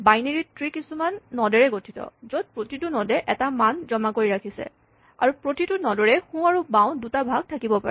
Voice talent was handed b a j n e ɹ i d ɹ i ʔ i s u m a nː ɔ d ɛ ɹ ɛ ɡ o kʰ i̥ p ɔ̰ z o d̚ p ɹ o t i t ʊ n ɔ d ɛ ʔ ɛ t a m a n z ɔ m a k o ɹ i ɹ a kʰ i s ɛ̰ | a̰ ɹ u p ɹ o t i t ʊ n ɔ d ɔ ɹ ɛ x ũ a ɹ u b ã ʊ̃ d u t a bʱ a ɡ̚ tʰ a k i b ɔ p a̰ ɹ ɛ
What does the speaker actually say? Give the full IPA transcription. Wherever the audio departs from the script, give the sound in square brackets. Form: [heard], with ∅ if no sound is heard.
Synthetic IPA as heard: b a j n e ɹ i [t] ɹ i [k] i s u m a nː ɔ d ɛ ɹ ɛ ɡ o [tʰ] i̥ [t] ɔ̰ z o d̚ p ɹ o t i t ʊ n ɔ d ɛ ʔ ɛ t a m a n z ɔ m a k o ɹ i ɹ a kʰ i s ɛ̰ | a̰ ɹ u p ɹ o t i t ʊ n ɔ d ɔ ɹ ɛ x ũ a ɹ u b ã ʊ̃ d u t a bʱ a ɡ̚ tʰ a k i b ɔ p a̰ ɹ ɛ